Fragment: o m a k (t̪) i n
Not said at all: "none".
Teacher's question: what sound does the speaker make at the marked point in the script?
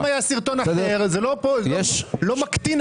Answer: t̪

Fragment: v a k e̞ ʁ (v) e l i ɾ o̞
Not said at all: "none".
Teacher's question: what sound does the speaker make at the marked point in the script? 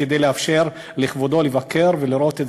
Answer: v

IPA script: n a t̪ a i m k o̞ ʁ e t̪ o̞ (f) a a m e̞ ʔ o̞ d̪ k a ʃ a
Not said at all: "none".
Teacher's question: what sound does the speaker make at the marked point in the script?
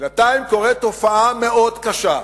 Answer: f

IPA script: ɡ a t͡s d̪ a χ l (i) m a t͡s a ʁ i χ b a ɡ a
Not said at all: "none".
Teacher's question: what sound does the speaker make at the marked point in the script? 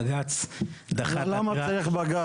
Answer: a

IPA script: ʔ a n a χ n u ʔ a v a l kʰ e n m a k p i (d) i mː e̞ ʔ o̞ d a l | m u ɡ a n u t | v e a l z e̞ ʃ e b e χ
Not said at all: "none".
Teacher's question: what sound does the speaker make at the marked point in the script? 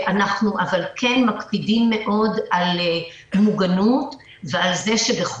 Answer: d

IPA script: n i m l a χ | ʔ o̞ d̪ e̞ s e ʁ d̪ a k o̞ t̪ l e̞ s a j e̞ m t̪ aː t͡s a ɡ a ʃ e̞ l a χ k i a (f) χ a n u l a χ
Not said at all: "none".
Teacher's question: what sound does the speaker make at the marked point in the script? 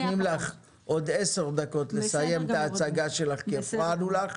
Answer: f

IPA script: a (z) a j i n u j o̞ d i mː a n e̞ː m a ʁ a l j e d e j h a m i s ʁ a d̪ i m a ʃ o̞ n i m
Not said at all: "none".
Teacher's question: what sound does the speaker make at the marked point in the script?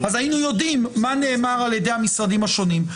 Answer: z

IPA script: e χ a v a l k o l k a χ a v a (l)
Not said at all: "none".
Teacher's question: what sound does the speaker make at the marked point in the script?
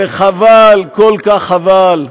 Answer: l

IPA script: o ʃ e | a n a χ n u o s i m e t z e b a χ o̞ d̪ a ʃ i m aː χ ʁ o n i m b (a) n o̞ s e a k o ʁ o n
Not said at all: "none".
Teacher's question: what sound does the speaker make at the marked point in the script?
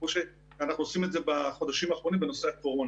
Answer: e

